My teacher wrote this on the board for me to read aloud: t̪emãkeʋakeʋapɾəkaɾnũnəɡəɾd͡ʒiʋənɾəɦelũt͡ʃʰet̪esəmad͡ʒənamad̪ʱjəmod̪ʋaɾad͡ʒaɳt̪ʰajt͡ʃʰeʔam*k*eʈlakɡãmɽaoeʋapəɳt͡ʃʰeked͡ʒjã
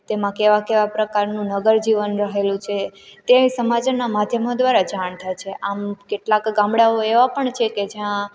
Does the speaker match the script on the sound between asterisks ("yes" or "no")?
yes